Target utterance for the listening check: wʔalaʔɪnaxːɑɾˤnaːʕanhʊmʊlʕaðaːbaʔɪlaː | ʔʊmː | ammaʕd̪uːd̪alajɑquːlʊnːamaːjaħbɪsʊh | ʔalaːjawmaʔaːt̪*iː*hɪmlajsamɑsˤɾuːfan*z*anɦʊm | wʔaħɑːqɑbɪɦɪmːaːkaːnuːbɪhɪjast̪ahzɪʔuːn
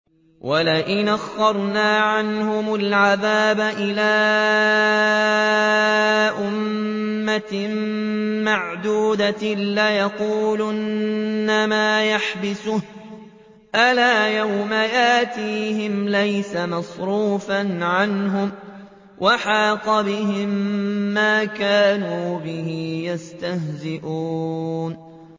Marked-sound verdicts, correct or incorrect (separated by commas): correct, incorrect